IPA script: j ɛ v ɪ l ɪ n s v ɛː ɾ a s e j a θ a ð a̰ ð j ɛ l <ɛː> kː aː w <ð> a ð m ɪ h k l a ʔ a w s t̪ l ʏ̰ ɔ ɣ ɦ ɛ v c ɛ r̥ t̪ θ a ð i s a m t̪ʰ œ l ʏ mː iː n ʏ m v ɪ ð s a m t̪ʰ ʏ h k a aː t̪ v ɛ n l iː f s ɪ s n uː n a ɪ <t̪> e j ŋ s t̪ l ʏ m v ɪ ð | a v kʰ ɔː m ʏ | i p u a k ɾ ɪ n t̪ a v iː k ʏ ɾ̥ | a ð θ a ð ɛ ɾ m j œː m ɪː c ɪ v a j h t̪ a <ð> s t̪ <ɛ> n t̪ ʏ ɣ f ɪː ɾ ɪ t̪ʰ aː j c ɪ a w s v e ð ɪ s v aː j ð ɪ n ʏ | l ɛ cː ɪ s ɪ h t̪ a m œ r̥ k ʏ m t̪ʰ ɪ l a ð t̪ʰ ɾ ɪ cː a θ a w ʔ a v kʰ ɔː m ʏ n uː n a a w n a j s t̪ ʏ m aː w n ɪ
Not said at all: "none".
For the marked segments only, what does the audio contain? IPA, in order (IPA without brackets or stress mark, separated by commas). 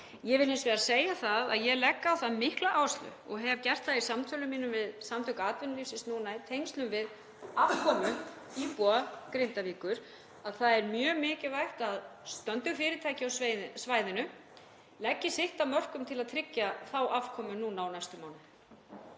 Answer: ɛ, θ, t̪ʰ, ð, œ